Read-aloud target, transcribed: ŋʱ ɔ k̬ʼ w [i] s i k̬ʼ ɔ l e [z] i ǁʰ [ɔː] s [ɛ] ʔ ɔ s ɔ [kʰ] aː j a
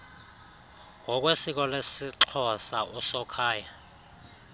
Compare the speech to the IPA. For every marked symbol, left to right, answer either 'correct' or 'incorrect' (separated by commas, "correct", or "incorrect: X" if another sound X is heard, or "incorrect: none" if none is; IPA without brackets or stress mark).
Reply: incorrect: e, incorrect: s, incorrect: ɔ, incorrect: a, correct